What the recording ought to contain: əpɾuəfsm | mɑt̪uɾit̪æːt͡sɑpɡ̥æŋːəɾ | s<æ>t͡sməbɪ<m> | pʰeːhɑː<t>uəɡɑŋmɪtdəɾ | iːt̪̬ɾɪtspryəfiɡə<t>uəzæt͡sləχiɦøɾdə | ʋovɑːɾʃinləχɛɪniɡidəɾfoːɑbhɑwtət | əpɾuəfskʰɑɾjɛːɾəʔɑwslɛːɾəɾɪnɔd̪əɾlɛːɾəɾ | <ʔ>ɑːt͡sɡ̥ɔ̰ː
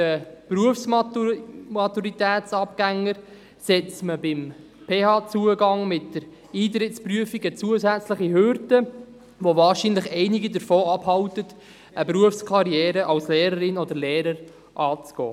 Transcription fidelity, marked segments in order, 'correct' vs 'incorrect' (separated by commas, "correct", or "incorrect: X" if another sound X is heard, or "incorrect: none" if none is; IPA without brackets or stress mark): incorrect: ɛ, correct, incorrect: t͡s, incorrect: t͡s, correct